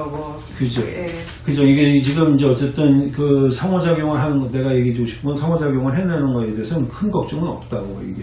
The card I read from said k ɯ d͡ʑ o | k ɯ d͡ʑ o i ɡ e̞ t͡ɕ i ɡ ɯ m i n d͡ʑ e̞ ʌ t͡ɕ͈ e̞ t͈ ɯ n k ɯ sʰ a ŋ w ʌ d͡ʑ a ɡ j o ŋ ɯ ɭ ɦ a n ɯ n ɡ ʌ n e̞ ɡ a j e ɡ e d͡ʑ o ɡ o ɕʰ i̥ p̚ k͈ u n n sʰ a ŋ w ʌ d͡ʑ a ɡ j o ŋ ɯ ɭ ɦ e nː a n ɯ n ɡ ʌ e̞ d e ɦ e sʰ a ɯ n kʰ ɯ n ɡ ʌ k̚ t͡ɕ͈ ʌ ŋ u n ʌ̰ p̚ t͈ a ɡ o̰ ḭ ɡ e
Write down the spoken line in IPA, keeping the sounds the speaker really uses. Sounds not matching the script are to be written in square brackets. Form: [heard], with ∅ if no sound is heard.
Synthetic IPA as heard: k ɯ d͡ʑ o | k ɯ d͡ʑ o i ɡ e̞ t͡ɕ i ɡ ɯ m i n d͡ʑ e̞ ʌ t͡ɕ͈ e̞ t͈ ɯ n k ɯ sʰ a ŋ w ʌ d͡ʑ a ɡ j o ŋ ɯ ɭ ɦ a n ɯ n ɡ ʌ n e̞ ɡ a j e ɡ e d͡ʑ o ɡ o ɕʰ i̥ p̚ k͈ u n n sʰ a ŋ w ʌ d͡ʑ a ɡ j o ŋ ɯ ɭ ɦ e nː a n ɯ n ɡ ʌ e̞ d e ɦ e sʰ [ʌ] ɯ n kʰ ɯ n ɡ ʌ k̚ t͡ɕ͈ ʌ ŋ [ɯ] n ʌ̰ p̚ t͈ a ɡ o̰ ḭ ɡ e